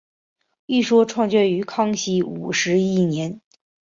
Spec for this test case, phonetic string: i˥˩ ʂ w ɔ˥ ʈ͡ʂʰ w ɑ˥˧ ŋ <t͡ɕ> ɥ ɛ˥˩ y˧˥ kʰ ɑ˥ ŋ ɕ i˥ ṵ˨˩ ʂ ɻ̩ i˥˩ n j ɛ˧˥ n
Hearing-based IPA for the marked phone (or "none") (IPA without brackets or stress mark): t͡ɕ